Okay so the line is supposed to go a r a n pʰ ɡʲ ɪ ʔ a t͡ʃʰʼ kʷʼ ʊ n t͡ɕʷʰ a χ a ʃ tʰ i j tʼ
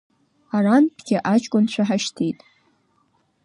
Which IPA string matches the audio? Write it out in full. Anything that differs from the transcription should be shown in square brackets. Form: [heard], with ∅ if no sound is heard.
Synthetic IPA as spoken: a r a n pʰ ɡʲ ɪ ʔ a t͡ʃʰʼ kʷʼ ʊ n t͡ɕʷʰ a [ħ] a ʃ tʰ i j tʼ